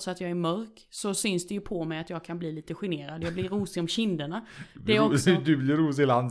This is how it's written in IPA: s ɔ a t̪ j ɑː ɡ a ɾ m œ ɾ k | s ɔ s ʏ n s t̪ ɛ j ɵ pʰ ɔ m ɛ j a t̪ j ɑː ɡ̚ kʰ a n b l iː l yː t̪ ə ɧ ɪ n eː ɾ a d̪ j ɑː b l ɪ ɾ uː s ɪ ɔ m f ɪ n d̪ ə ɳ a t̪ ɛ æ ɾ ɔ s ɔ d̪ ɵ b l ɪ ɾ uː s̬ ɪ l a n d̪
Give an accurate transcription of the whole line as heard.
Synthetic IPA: s ɔ a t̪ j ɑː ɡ æ ɾ m œ ɾ k | s ɔ s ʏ n s d̪ ɛ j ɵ pʰ ɔ m ɛ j a t̪ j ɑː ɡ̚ kʰ a n b l iː l iː t̪ ə ɧ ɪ n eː ɾ a d̪ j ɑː b l ɪ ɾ uː s ɪ ɔ m ɕ ɪ n d̪ ə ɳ a d̪ ɛ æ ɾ ɔ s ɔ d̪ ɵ b l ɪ ɾ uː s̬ ɪ l a n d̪